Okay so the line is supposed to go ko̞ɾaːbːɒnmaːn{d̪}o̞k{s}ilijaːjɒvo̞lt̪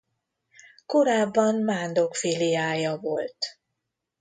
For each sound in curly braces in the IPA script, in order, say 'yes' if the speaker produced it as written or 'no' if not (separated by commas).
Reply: yes, no